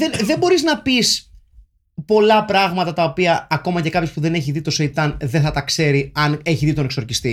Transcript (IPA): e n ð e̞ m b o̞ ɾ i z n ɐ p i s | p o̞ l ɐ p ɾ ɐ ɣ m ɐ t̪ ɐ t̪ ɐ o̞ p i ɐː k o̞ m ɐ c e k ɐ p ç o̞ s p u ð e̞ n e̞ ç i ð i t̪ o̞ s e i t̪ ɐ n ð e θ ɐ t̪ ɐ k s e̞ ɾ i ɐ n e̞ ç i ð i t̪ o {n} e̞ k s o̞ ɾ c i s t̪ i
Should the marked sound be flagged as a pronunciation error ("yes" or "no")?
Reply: no